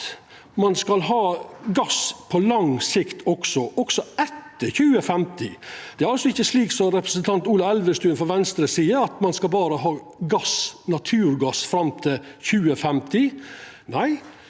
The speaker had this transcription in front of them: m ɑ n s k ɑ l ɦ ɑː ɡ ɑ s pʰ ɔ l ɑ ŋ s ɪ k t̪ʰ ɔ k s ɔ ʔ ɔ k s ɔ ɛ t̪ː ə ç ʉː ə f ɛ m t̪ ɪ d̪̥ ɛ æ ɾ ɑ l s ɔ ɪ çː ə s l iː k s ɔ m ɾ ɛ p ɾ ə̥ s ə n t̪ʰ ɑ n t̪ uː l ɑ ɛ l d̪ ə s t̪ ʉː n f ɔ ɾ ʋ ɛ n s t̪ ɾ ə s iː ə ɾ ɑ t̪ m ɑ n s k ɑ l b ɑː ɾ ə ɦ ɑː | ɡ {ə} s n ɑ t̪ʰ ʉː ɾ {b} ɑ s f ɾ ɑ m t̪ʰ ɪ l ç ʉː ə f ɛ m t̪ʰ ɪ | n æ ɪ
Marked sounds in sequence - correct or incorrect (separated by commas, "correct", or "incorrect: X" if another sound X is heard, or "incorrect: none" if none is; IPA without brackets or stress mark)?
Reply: incorrect: ɑ, incorrect: ɡ